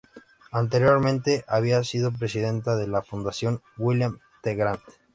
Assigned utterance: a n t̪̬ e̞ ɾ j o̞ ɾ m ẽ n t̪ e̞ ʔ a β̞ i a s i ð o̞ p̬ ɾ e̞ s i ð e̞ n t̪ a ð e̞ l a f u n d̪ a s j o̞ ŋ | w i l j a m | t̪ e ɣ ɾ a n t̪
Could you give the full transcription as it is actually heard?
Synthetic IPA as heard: a n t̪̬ e̞ ɾ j o̞ ɾ m ẽ n t̪ e̞ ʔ a β̞ i a s i ð o̞ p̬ ɾ e̞ s i ð e̞ n t̪ a ð e̞ l a f u n d̪ a s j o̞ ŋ | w i l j a m | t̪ e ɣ ɾ a n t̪